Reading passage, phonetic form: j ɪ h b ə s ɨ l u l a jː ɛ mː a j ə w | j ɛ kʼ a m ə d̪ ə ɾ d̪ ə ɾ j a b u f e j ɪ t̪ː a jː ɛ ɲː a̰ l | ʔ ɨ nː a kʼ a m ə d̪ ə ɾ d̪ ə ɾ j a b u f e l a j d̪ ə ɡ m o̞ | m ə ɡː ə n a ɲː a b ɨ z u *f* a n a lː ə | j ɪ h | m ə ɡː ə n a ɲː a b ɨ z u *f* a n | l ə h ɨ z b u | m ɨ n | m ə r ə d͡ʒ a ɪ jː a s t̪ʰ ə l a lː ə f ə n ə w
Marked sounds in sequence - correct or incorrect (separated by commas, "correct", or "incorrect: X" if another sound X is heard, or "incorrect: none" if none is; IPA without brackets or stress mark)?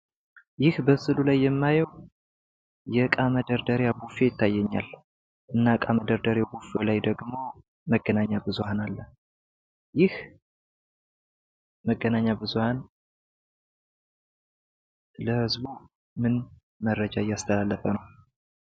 incorrect: h, incorrect: h